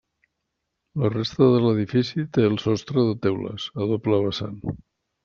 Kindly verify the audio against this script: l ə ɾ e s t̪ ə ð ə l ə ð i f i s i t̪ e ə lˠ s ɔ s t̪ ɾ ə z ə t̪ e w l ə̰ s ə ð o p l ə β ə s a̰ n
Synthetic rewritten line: l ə r e s t̪ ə ð ə l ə ð i f i s i t̪ e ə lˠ s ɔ s t̪ ɾ ə ð ə t̪ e w l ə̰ s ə ð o p l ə β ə s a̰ n